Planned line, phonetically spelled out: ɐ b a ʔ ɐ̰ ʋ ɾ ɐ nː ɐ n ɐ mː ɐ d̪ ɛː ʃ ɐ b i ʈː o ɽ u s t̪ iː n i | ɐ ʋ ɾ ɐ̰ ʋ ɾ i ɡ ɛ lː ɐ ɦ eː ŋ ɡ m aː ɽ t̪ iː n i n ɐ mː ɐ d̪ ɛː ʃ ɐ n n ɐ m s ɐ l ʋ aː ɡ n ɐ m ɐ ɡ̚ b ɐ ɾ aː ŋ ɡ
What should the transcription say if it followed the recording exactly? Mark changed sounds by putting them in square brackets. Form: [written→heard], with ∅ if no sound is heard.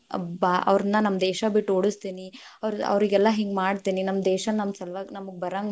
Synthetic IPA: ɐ b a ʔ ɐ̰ ʋ ɾ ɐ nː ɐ n ɐ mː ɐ d̪ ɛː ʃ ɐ b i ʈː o ɽ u s t̪ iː n i | ɐ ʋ ɾ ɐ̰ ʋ ɾ i ɡ ɛ lː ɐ ɦ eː ŋ ɡ m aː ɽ t̪ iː n i n ɐ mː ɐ d̪ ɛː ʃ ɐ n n ɐ m s ɐ l ʋ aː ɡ n ɐ m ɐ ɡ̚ b ɐ ɾ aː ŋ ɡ